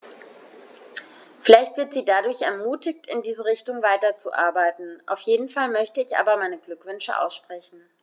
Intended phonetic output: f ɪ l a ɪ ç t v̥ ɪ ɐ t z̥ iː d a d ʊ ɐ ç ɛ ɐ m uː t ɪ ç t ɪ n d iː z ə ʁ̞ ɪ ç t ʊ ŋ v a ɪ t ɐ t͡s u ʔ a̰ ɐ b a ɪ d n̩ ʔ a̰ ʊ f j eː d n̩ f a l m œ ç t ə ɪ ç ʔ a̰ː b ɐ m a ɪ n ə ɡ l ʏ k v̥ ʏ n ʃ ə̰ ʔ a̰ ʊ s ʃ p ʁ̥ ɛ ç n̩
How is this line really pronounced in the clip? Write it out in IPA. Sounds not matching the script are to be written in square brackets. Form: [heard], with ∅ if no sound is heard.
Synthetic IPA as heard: f ɪ l a ɪ ç t v̥ ɪ ɐ t z̥ iː d a d ʊ ɐ ç ɛ ɐ m uː t ɪ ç t ɪ n d iː z ə ʁ̞ ɪ ç t ʊ ŋ v a ɪ t ɐ t͡s u ʔ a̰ ɐ b a ɪ [t] n̩ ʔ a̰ ʊ f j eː d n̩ f a l m œ ç t ə ɪ ç ʔ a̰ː b ɐ m a ɪ n ə ɡ l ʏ k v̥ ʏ n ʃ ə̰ ʔ a̰ ʊ s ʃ p ʁ̥ ɛ ç n̩